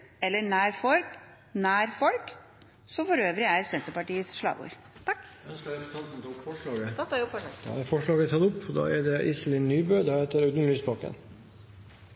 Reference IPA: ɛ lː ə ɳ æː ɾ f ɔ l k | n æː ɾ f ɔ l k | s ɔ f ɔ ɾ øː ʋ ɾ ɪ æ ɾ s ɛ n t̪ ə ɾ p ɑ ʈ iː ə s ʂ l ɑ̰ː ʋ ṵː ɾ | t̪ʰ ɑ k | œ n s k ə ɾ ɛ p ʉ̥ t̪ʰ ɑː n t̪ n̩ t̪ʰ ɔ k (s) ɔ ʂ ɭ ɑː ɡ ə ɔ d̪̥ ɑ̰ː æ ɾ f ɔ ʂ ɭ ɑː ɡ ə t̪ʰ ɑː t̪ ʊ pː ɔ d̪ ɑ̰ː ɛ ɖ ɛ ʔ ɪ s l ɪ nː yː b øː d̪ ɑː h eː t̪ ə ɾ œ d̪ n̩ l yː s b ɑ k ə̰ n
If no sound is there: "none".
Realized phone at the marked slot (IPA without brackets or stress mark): f